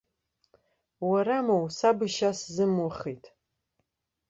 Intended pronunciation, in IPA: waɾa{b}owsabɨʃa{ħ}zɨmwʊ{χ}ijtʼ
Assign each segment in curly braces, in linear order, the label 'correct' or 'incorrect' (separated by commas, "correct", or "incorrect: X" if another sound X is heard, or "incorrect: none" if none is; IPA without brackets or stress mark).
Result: incorrect: m, incorrect: s, correct